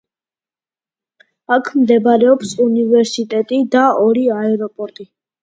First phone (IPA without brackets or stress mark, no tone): a